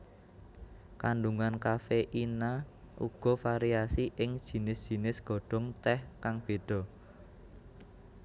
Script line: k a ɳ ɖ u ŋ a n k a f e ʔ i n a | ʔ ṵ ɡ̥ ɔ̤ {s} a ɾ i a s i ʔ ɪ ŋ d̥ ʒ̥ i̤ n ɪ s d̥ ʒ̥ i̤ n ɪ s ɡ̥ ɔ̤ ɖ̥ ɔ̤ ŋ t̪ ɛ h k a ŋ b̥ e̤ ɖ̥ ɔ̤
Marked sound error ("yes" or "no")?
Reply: yes